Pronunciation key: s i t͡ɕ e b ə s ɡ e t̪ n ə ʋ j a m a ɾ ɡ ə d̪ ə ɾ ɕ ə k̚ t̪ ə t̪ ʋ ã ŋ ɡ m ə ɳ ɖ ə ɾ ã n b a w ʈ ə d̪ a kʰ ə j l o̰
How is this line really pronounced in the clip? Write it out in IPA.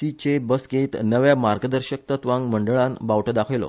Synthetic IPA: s i t͡ɕ e b ə s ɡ e t̪ n ə ʋ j a m a ɾ ɡ ə d̪ ə ɾ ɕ ə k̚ t̪ ə t̪ ʋ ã ŋ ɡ m ə ɳ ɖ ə ɭ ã n b a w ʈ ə d̪ a kʰ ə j l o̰